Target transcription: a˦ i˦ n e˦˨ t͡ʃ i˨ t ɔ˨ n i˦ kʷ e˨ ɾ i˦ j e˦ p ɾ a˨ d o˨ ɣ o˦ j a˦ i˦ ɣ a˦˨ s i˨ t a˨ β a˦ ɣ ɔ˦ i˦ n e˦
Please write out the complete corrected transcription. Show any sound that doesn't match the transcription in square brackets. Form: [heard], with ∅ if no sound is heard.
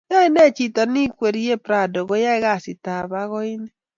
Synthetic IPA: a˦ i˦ n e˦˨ t͡ʃ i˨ t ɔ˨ n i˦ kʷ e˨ ɾ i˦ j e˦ p ɾ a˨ d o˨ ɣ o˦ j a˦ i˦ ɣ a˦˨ s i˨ t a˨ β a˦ ɣ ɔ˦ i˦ n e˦